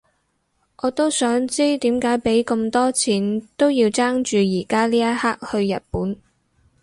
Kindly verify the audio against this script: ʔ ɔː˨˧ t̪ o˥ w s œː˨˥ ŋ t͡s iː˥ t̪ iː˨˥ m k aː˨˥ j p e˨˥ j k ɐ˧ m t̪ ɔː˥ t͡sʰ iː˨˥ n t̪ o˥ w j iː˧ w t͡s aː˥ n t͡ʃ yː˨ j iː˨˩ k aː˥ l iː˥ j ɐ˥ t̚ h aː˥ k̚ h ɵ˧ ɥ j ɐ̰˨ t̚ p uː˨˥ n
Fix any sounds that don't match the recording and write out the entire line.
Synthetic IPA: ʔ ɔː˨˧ t̪ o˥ w s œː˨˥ ŋ t͡s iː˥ t̪ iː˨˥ m k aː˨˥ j p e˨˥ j k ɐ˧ m t̪ ɔː˥ t͡sʰ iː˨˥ n t̪ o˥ w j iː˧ w t͡s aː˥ ŋ t͡ʃ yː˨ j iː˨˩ k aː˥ l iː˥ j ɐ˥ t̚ h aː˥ k̚ h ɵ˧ ɥ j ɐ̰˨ t̚ p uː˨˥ n